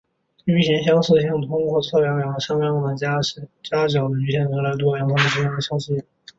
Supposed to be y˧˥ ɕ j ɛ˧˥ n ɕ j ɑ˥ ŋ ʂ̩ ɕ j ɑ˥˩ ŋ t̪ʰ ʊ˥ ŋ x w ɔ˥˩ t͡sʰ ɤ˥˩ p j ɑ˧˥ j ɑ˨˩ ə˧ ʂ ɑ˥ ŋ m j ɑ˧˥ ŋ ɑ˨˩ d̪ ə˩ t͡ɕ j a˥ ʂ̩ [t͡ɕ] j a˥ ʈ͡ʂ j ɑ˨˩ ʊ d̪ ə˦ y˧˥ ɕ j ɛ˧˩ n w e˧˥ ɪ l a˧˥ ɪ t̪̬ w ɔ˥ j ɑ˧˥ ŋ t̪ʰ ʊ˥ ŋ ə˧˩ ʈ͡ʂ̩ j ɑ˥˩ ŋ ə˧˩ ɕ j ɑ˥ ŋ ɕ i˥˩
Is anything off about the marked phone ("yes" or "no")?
no